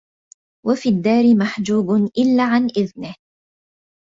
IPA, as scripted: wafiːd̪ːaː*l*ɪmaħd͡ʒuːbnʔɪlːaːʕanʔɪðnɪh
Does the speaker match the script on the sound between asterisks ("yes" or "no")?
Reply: no